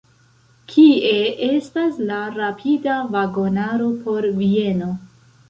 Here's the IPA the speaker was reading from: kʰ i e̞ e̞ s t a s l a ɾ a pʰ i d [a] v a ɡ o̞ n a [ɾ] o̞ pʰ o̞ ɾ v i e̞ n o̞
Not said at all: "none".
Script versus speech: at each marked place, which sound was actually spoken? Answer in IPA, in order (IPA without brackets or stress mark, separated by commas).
a, ɾ